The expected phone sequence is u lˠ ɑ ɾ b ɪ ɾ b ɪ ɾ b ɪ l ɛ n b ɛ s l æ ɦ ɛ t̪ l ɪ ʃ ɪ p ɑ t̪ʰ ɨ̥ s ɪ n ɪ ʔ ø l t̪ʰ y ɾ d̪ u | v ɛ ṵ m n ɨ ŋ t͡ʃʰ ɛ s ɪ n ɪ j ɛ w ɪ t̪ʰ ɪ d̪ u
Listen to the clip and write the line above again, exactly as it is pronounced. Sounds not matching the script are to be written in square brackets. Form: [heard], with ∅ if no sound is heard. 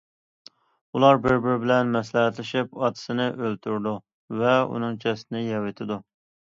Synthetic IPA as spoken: u lˠ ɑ ɾ b ɪ ɾ b ɪ ɾ b ɪ l ɛ n [m] ɛ s l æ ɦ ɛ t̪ l ɪ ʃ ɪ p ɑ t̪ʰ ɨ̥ s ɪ n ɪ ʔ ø l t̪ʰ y ɾ d̪ u | v ɛ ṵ [∅] n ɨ ŋ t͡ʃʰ ɛ s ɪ n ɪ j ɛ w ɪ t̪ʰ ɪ d̪ u